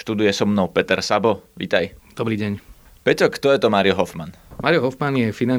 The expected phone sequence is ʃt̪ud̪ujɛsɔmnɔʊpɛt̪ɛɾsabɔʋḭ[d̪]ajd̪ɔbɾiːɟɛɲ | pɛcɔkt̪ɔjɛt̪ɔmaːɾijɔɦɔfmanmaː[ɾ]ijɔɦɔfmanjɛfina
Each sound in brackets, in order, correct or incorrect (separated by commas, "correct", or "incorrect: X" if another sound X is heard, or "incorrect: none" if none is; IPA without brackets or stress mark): incorrect: t̪, correct